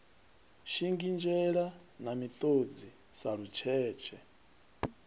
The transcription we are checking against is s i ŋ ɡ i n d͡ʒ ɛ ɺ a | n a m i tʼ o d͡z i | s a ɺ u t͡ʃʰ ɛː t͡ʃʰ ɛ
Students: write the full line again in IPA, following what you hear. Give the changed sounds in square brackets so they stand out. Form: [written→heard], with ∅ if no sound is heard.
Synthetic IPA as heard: [s→ʃ] i ŋ ɡ i n d͡ʒ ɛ ɺ a | n a m i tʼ o d͡z i | s a ɺ u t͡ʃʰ ɛː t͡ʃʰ ɛ